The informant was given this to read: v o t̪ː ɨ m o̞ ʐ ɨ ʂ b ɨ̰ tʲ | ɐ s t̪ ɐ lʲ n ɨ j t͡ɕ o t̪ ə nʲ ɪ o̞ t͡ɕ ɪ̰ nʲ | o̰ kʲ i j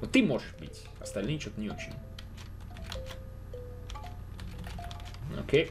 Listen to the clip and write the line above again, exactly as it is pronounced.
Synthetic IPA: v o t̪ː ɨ m o̞ ʐ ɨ ʂ b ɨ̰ tʲ | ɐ s t̪ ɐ lʲ n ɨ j t͡ɕ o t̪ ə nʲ ɪ o̞ t͡ɕ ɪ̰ nʲ | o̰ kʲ e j